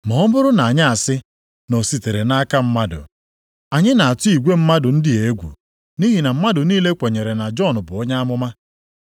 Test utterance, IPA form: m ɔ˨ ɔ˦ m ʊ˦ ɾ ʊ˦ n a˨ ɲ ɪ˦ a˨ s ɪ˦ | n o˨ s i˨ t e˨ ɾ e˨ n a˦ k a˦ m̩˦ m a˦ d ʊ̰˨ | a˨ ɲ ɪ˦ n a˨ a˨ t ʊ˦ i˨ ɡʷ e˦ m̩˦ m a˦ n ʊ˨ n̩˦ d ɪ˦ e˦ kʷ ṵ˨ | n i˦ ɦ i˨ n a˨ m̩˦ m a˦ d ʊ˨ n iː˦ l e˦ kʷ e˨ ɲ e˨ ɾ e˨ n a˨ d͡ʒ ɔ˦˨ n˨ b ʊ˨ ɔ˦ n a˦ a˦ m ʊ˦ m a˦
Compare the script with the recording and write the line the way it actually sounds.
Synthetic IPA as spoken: m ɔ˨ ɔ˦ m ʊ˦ ɾ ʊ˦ n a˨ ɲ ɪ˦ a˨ s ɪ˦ | n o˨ s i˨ t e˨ ɾ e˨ n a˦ k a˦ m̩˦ m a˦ d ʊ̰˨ | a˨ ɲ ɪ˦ n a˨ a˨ t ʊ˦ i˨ ɡʷ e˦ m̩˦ m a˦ d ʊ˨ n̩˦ d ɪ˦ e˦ ɡʷ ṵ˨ | n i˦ ɦ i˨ n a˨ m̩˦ m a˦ d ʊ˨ n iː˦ l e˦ kʷ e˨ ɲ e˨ ɾ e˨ n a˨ d͡ʒ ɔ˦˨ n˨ b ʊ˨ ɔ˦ ɲ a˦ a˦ m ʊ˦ m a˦